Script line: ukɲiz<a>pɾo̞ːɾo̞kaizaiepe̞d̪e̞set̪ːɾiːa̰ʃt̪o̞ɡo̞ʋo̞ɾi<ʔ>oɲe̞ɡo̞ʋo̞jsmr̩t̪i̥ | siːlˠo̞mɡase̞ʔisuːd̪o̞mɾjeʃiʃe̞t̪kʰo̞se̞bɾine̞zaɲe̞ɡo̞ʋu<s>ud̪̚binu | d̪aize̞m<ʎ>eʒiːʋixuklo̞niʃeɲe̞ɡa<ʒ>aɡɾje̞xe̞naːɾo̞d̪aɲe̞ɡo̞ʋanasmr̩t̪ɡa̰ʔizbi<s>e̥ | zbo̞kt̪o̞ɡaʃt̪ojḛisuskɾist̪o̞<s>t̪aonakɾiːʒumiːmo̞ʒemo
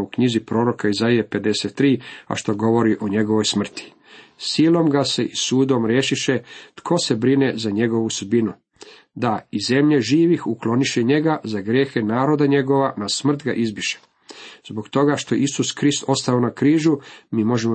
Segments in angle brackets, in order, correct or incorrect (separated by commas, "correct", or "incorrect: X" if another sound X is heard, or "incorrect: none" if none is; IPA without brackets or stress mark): incorrect: i, correct, correct, correct, incorrect: z, incorrect: ʃ, correct